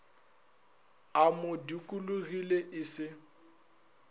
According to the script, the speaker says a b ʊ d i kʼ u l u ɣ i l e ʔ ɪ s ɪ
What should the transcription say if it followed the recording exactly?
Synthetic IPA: a m ʊ d i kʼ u l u ɣ i l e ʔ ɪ s ɪ